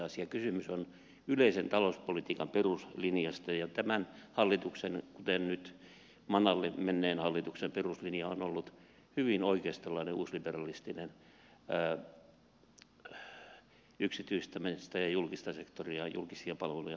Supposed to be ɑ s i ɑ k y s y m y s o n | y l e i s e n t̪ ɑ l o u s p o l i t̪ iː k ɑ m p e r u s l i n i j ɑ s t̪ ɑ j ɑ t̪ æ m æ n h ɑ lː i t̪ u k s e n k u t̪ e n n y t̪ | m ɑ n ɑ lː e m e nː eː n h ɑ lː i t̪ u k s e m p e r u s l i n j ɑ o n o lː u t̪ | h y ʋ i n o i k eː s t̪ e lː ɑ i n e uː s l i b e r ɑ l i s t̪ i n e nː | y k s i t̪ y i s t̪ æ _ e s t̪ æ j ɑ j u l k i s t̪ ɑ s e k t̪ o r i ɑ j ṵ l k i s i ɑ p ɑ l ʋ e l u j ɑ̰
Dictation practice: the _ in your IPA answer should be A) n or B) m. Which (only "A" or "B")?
B